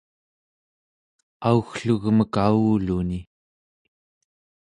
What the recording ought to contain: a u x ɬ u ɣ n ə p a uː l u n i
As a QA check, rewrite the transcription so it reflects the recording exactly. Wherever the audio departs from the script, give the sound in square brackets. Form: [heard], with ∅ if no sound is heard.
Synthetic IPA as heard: a u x ɬ u ɣ [m] ə [k] a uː l u n i